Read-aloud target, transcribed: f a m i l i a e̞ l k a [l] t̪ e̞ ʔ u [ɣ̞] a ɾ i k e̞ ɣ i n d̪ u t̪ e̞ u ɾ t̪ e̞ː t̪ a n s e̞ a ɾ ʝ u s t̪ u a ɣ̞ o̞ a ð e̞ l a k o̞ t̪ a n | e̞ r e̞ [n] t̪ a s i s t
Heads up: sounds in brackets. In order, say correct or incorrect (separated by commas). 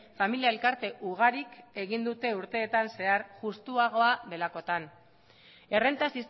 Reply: incorrect, correct, correct